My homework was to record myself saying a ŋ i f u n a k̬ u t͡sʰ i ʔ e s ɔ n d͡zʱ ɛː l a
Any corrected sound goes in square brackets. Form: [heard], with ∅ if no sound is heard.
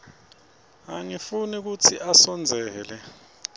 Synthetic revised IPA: a ŋ i f u n [i] k̬ u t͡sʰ i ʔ [a] s ɔ n d͡zʱ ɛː l [ɛ]

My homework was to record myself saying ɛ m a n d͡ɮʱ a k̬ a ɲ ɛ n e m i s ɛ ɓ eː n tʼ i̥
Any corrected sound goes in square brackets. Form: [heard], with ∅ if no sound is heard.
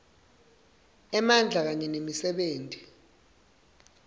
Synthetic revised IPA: ɛ m a n d͡ɮʱ a k̬ a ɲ ɛ n e m i s ɛ ɓ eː n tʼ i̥

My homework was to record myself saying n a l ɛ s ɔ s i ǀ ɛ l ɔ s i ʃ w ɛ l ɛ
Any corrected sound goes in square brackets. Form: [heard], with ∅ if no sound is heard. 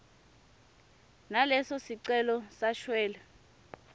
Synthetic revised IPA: n a l ɛ s ɔ s i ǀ ɛ l ɔ s [a] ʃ w [ɛː] l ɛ

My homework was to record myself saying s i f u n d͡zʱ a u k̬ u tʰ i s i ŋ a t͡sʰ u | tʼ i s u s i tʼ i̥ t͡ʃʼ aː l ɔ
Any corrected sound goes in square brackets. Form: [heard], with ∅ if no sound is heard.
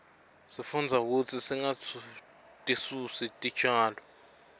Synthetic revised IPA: s i f u n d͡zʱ a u k̬ u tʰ i s i ŋ a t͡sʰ u | tʼ i s u s i tʼ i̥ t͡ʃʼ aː l ɔ

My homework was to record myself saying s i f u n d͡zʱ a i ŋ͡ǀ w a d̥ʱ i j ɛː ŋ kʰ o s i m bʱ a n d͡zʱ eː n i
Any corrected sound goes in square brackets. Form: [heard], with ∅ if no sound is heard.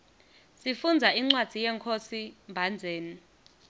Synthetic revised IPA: s i f u n d͡zʱ a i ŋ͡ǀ w a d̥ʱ i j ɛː ŋ kʰ o s i m bʱ a n d͡zʱ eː n i

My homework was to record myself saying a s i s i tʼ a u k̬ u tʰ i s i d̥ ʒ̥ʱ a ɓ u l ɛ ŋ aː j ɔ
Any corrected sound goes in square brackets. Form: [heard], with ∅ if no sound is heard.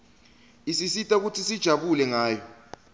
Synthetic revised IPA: [i] s i s i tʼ a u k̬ u tʰ i s i d̥ ʒ̥ʱ a ɓ u l ɛ ŋ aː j ɔ

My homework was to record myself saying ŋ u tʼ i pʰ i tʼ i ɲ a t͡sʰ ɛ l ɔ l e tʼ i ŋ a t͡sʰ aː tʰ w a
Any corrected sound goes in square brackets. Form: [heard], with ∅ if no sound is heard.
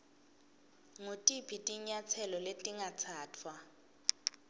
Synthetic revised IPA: ŋ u tʼ i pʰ i tʼ i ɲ a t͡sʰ ɛ l ɔ l e tʼ i ŋ a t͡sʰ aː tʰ w a

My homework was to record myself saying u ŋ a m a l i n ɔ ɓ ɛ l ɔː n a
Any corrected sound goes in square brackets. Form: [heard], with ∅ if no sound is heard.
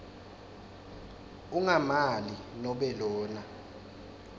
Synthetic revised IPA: u ŋ a m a l i n ɔ ɓ ɛ l ɔː n a

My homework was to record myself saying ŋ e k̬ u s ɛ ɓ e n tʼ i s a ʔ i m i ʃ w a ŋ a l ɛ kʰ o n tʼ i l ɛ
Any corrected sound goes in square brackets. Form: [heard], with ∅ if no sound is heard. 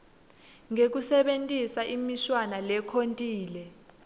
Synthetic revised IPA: ŋ e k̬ u s ɛ ɓ e n tʼ i s a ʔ i m i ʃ w a [n] a l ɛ kʰ o n tʼ [iː] l ɛ

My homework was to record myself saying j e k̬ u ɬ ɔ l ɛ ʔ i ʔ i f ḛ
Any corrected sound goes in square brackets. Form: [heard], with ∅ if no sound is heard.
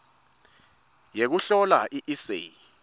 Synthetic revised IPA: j e k̬ u ɬ ɔ l [a] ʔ i ʔ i [s] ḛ

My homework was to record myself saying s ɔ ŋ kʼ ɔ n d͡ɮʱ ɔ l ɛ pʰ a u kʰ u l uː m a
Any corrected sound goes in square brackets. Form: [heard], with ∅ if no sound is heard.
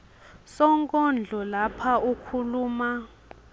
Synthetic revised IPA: s ɔ ŋ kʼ ɔ n d͡ɮʱ ɔ l [a] pʰ a u kʰ u l uː m a

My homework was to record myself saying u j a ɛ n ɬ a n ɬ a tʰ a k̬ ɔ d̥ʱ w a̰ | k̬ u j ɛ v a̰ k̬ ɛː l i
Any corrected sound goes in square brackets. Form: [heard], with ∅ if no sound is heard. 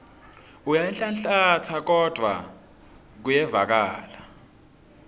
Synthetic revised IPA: u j a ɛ n ɬ a n ɬ a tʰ a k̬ ɔ d̥ʱ w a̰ | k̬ u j ɛ v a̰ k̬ [aː] l [a]

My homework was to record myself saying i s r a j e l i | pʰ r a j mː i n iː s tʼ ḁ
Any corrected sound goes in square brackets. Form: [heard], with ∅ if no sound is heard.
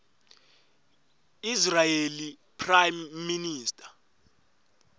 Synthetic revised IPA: i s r a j e l i | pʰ r a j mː i n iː s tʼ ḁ

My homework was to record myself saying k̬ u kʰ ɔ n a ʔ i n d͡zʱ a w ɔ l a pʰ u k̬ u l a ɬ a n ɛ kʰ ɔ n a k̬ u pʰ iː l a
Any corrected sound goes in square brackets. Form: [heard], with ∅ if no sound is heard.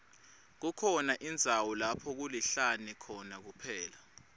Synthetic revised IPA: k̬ u kʰ ɔ n a ʔ i n d͡zʱ a w ɔ l a pʰ [ɔ] k̬ u l [i] ɬ a n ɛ kʰ ɔ n a k̬ u pʰ [ɛː] l a

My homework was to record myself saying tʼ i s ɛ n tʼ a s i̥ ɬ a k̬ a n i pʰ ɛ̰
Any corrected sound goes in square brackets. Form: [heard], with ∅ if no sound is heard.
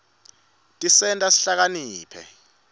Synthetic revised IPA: tʼ i s ɛ n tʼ a s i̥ ɬ a k̬ a n [iː] pʰ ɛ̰

